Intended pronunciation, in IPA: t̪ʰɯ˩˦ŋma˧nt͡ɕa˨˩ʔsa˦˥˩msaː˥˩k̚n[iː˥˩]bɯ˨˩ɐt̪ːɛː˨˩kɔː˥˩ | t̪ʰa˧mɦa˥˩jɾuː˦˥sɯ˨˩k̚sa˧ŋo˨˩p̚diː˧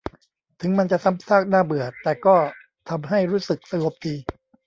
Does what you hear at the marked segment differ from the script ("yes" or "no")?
yes